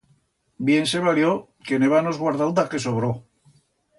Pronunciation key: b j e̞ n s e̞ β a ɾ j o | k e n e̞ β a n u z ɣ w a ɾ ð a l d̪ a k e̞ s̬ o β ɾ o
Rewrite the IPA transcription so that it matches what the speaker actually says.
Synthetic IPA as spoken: b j e̞ n s e̞ β a l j o | k e n e̞ β a n o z ɣ w a ɾ ð a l d̪ a k e̞ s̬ o β ɾ o